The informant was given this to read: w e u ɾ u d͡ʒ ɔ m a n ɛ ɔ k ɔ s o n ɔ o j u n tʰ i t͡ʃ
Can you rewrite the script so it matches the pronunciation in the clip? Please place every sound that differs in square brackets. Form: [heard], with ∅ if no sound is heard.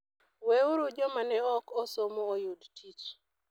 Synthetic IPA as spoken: w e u ɾ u d͡ʒ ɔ m a n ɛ ɔ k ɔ s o [m] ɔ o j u [d] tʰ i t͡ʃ